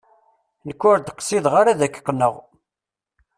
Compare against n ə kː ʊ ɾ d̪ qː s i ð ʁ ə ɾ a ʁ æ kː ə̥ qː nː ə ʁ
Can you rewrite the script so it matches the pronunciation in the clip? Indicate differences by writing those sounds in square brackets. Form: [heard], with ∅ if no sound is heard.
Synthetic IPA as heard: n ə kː ʊ ɾ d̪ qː s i ð ʁ [a] ɾ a [ð] æ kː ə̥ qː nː ə ʁ

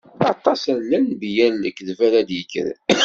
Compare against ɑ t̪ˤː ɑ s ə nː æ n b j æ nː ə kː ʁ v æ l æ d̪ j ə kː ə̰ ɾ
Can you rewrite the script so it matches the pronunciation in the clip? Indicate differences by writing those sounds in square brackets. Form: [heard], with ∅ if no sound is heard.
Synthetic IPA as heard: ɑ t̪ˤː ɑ s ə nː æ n b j æ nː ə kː [ð] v æ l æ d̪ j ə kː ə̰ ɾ

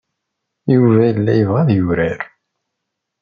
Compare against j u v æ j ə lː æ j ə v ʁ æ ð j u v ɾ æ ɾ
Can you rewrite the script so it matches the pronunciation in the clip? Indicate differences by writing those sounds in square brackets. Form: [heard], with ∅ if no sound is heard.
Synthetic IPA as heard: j u v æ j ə lː æ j ə v ʁ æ ð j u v ɾ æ ɾ

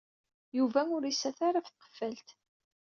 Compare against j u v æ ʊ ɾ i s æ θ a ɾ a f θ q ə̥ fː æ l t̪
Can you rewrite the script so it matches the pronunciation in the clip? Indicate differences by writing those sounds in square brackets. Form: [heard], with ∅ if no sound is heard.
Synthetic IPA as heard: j u v æ ʊ ɾ i s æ θ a ɾ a f θ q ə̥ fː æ l t̪

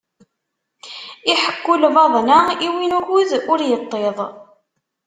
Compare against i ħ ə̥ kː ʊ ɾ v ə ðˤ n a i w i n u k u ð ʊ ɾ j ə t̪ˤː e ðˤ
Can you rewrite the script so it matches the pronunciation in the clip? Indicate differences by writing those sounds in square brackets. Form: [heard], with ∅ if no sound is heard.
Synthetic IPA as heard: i ħ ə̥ kː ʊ [l] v [ɑ] ðˤ n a i w i n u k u ð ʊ ɾ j ə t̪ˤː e ðˤ

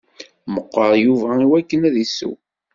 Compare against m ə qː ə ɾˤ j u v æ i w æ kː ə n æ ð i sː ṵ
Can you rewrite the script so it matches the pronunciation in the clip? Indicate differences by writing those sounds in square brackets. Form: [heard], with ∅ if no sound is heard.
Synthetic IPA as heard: m ə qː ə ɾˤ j u v æ i w æ kː ə n æ ð i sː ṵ

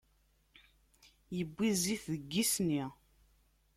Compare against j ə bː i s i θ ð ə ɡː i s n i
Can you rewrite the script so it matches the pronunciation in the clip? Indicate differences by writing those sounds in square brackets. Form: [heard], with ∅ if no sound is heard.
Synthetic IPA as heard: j ə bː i [z] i θ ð ə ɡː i s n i

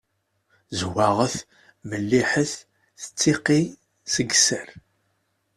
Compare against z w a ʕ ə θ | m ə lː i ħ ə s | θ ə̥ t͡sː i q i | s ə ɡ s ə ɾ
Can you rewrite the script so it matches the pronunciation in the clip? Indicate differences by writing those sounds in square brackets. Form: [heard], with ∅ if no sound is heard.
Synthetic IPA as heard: z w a [ʁ] ə θ | m ə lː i ħ ə [θ] | θ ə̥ t͡sː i q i | s ə ɡ s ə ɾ

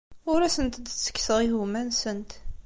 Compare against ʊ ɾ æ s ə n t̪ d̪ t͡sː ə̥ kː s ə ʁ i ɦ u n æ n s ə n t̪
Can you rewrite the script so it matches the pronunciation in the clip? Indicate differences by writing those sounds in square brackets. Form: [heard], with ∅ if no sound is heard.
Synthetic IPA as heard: ʊ ɾ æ s ə n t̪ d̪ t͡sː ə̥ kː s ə ʁ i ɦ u [m] æ n s ə n t̪

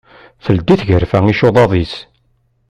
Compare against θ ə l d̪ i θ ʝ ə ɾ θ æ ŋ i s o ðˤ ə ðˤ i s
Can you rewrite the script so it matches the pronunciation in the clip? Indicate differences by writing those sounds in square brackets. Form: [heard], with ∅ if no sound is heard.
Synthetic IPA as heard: θ ə l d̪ i θ ʝ ə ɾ [f] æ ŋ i [ʃ] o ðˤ [ɑ] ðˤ i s

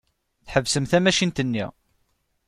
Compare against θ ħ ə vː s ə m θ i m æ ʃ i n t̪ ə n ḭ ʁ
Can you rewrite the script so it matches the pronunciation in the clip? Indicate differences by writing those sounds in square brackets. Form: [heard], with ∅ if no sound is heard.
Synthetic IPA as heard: θ ħ ə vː s ə m θ [æ] m æ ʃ i n t̪ ə [nː] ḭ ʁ

